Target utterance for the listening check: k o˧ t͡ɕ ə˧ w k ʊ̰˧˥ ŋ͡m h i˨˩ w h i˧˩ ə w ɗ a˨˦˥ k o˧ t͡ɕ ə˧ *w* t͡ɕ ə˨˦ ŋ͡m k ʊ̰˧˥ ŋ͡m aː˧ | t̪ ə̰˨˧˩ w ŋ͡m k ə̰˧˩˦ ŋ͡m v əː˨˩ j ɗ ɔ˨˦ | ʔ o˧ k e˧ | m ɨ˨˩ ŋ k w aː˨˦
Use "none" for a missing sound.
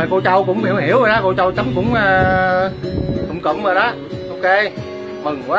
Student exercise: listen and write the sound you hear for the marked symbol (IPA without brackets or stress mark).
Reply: w